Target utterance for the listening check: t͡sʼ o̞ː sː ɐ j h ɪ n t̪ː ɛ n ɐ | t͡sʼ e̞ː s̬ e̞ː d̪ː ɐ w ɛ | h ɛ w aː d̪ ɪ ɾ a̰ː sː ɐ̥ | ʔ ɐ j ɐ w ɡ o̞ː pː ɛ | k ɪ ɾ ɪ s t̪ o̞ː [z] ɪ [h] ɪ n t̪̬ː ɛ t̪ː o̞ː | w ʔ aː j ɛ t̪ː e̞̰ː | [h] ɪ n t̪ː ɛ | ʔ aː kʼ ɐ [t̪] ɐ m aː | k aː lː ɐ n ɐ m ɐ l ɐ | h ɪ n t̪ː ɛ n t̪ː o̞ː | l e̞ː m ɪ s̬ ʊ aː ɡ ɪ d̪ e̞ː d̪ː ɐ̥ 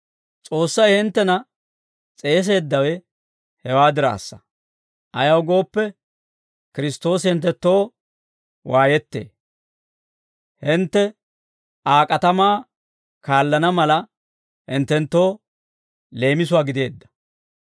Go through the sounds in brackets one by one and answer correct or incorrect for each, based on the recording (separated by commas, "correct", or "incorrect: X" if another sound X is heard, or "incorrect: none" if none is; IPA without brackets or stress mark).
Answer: incorrect: s, correct, correct, correct